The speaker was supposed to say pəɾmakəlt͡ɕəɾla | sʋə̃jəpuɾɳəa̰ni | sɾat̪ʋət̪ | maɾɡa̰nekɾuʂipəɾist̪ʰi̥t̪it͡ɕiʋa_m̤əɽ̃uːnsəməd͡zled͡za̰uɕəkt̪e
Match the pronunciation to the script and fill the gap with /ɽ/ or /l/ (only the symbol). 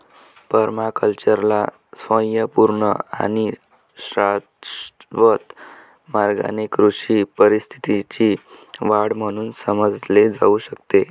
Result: ɽ